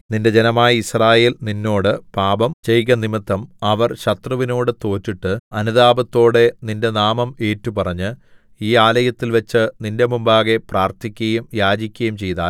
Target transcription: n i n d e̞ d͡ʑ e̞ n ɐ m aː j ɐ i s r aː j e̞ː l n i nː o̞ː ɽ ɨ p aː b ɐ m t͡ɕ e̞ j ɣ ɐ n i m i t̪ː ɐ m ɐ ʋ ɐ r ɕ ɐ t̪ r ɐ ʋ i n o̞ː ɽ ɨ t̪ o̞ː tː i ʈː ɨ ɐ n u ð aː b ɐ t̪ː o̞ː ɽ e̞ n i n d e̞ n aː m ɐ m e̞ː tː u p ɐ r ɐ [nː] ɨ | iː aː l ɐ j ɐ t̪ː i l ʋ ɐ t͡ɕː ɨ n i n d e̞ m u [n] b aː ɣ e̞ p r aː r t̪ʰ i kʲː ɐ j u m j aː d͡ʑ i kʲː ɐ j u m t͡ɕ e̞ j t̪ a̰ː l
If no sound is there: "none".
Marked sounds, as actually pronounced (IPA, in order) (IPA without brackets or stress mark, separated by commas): ɲː, m